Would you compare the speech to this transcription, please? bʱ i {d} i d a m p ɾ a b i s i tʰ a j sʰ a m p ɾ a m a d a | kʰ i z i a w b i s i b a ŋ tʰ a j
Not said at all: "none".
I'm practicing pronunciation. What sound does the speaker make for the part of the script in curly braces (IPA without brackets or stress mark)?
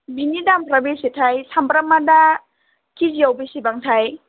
n